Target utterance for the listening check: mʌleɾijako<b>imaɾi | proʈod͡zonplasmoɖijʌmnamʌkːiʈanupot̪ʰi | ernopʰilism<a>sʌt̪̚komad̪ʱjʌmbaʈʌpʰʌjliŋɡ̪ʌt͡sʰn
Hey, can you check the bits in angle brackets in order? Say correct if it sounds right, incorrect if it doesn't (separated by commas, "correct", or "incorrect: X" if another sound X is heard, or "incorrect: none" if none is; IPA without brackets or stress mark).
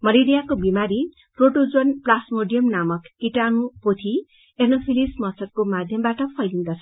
correct, incorrect: ʌ